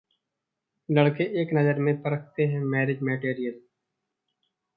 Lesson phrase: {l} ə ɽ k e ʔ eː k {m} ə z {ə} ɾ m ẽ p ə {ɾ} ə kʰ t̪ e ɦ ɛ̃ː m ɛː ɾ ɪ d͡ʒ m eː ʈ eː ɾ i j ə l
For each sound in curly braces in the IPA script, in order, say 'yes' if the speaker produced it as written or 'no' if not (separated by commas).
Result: yes, no, yes, yes